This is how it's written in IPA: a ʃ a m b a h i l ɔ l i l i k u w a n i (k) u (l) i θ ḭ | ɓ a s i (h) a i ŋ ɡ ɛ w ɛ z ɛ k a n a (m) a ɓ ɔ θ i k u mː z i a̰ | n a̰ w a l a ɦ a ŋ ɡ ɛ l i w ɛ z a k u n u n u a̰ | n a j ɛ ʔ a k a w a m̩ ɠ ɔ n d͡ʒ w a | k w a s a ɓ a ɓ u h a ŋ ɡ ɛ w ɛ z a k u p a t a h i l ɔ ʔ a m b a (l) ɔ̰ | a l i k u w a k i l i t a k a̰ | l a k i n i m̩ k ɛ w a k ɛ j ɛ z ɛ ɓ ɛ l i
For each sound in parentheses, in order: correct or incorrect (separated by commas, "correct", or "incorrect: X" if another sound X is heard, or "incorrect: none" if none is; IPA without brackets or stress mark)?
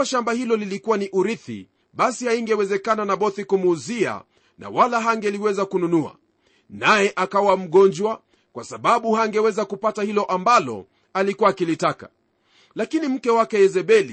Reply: incorrect: ʔ, incorrect: ɾ, correct, incorrect: n, correct